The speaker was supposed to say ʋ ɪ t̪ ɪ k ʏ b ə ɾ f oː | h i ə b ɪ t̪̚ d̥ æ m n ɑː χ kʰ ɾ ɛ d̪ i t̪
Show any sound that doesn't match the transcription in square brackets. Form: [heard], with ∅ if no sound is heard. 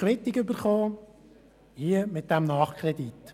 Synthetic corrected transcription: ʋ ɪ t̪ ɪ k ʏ b ə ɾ [χ] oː | h i ə [m] ɪ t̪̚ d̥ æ m n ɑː χ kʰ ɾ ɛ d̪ i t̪